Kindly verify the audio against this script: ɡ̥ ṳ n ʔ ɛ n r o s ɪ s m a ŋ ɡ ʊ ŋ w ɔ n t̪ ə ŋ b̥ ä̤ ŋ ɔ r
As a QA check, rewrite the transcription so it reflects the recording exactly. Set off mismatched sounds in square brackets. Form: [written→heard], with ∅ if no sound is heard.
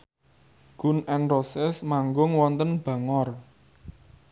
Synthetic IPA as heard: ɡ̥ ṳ n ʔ ɛ n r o s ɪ s m a ŋ ɡ ʊ ŋ w ɔ n t̪ ə [ŋ→n] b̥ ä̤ ŋ ɔ r